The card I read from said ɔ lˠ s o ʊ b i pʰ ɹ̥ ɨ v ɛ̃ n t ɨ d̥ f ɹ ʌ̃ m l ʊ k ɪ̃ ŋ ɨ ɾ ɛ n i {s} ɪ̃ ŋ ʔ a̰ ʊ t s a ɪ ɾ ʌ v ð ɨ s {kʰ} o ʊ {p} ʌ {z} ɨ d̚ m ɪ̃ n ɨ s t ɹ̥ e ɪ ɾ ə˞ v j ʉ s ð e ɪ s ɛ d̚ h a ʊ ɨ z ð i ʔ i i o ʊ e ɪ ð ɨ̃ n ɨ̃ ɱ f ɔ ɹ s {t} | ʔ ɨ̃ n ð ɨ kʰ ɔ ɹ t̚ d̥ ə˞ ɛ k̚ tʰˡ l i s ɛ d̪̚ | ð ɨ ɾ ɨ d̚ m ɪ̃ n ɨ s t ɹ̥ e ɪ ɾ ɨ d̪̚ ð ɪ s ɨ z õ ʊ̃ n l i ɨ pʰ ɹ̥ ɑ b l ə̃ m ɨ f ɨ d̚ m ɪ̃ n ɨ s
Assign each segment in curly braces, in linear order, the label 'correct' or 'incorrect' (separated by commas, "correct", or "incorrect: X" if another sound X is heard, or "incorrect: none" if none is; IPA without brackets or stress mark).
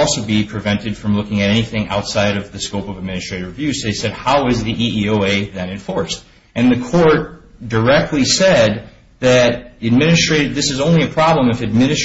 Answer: incorrect: θ, incorrect: k, correct, incorrect: v, correct